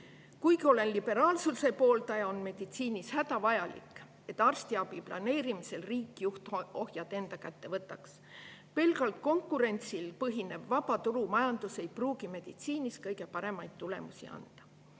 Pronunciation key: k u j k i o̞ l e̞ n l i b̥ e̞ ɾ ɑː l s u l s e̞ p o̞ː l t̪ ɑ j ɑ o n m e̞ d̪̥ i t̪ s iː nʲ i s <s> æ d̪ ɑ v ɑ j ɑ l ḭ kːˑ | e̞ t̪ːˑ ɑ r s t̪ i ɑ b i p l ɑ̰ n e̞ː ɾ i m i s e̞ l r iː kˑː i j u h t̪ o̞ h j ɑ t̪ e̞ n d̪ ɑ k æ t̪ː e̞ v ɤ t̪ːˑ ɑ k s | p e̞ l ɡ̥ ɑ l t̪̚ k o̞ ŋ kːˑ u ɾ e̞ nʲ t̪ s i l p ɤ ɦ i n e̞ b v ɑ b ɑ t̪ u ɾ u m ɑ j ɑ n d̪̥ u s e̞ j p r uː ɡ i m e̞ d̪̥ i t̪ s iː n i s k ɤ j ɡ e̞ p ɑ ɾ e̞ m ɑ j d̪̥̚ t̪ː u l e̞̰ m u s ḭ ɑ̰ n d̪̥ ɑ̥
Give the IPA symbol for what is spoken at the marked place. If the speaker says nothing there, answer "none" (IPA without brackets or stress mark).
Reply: h